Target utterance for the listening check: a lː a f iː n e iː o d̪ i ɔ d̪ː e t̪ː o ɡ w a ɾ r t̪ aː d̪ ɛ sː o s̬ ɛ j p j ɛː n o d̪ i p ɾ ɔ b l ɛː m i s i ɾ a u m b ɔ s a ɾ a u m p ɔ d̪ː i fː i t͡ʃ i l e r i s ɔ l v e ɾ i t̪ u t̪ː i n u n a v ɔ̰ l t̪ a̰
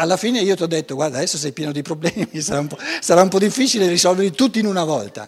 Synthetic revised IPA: a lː a f iː n e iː o t̪ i ɔ d̪ː e t̪ː o ɡ w a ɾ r d̪ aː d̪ ɛ sː o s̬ ɛ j p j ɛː n o d̪ i p ɾ o b l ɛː m i s a ɾ a u m p ɔ s a ɾ a u m p ɔ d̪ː i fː i t͡ʃ i l e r i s ɔ l v e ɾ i t̪ u t̪ː i n u n a v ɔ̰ l t̪ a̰